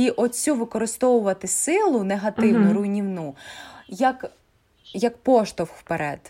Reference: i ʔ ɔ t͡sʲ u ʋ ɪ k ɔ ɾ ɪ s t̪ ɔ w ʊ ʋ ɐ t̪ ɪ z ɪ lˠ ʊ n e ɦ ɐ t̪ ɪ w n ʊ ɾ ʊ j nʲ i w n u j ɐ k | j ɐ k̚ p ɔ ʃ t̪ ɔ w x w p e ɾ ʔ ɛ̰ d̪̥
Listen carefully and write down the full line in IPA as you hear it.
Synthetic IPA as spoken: i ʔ ɔ t͡sʲ u ʋ ɪ k ɔ ɾ ɪ s t̪ ɔ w ʊ ʋ ɐ t̪ ɪ s ɪ lˠ ʊ n e ɦ ɐ t̪ ɪ w n ʊ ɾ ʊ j nʲ i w n u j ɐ k | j ɐ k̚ p ɔ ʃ t̪ ɔ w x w p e ɾ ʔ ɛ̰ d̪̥